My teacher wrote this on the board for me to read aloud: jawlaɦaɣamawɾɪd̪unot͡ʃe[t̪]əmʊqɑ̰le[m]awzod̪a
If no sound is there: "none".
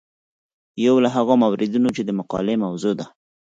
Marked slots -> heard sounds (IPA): d̪, m

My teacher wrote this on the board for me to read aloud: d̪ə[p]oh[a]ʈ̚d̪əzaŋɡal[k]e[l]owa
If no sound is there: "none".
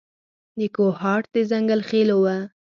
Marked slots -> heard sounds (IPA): k, ɑ, x, l

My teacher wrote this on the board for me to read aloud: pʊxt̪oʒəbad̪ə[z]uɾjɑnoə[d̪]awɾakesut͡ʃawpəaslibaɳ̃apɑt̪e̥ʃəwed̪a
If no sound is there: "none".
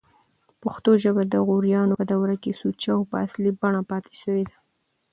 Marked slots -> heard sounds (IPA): ɣ, d̪

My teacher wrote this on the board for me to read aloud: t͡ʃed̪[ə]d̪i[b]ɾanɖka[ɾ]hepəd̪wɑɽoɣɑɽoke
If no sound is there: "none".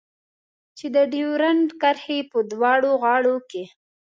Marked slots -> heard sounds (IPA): ə, w, ɾ

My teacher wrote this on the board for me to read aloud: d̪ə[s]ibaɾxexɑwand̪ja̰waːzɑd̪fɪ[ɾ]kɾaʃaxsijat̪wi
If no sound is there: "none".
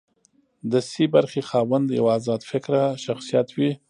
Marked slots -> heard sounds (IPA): s, none

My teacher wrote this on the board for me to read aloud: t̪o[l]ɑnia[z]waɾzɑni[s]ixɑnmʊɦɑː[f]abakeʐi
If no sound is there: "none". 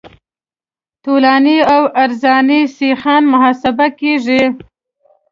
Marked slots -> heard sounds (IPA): l, none, s, s

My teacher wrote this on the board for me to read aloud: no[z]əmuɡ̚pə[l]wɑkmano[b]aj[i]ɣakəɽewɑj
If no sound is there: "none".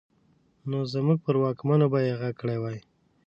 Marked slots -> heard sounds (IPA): z, ɾ, b, e

